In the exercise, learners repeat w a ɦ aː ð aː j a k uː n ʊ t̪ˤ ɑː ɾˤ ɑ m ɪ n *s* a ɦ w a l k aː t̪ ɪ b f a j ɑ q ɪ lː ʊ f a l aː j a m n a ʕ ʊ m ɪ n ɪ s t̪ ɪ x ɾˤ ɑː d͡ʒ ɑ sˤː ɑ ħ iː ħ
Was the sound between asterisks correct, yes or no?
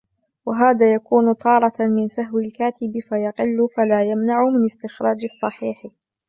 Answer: yes